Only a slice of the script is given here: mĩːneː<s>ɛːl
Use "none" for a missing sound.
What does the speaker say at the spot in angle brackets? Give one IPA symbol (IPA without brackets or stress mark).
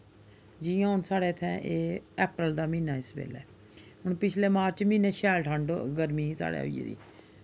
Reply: ʃ